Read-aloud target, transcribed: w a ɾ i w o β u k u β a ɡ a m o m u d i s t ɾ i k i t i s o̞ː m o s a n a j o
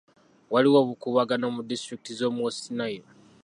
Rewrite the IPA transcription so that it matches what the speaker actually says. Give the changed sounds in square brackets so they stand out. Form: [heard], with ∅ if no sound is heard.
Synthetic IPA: w a [l] i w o β u k u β a ɡ a [n] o m u d i s t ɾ i k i t i [z] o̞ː m o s [i] n a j o